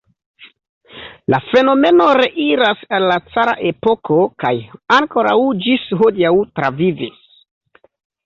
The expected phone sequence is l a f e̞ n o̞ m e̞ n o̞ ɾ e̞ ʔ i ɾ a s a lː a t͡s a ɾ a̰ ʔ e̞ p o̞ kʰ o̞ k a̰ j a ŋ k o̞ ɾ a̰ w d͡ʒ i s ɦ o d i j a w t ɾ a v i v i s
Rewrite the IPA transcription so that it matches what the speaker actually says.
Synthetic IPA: l a f e̞ n o̞ m e̞ n o̞ ɾ e̞ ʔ i ɾ a s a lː a t͡s a ɾ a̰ ʔ e̞ p o̞ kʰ o̞ k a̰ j a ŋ k o̞ ɾ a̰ w d͡ʒ i s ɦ o d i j a w t ɾ a v i v i s